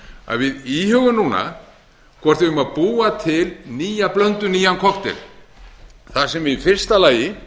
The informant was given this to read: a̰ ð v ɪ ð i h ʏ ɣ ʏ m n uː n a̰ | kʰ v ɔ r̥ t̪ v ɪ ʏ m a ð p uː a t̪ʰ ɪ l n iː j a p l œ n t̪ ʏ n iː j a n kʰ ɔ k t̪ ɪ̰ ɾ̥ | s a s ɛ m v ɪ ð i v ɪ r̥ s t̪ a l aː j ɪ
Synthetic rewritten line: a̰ ð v ɪ ð i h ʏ ɣ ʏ m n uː n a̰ | kʰ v ɔ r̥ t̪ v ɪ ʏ m a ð p uː a t̪ʰ ɪ l n iː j a p l œ n t̪ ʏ n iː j a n kʰ ɔ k t̪ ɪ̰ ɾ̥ | θ a s ɛ m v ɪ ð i f ɪ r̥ s t̪ a l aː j ɪ